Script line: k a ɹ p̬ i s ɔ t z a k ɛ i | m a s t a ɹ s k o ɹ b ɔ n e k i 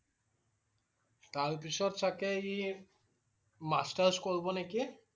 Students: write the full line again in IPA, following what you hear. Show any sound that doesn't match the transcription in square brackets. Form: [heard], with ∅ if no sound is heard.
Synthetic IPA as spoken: [t] a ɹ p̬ i s ɔ t [s] a k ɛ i | m a s t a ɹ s k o ɹ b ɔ n e k i